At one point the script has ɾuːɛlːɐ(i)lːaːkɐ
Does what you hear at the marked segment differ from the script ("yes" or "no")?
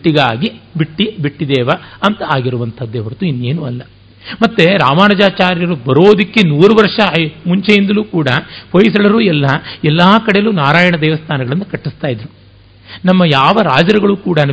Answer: yes